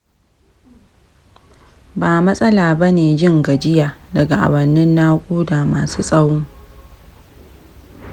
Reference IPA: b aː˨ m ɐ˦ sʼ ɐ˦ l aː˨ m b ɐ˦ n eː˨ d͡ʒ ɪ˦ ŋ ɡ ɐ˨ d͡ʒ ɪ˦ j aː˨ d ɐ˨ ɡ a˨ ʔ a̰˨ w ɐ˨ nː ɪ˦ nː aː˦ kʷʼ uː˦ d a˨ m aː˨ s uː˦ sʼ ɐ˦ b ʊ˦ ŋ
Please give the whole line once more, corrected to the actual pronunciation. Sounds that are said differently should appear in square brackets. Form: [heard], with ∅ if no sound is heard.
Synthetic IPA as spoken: b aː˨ m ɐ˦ sʼ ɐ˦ l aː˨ [∅] b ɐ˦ n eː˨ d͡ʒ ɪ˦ ŋ ɡ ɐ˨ d͡ʒ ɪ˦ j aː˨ d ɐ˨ ɡ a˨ ʔ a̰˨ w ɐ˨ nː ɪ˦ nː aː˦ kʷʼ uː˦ d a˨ m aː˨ s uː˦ sʼ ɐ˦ [w] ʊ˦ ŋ